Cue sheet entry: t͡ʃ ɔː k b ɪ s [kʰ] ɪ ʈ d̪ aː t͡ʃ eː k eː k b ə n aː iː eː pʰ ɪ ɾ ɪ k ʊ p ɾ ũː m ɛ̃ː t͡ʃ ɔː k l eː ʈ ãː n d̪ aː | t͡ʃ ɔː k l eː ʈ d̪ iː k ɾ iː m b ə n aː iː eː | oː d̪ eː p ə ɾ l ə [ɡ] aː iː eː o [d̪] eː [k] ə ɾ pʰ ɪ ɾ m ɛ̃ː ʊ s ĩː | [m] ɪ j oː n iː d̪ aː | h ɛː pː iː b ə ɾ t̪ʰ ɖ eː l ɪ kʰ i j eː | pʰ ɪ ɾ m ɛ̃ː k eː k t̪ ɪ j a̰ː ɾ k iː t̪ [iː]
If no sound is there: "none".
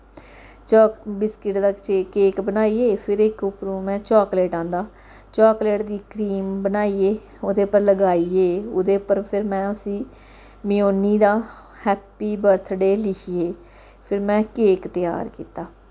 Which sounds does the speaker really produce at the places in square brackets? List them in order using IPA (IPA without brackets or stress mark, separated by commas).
k, ɡ, d̪, p, m, aː